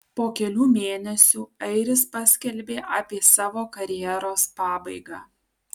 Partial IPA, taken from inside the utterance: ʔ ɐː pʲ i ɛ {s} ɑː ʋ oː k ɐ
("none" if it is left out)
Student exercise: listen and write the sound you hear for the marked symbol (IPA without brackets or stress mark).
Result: s